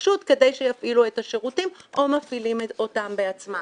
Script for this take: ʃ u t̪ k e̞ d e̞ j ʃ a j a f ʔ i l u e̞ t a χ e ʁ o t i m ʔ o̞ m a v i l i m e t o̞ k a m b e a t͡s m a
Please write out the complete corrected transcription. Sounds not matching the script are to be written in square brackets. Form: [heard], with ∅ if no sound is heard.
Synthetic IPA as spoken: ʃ u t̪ k e̞ d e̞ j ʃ [e] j a f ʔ i l u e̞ t a [ʃ] e ʁ [u] t i m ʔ o̞ m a [f] i l i m e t o̞ [t] a m b e a t͡s m a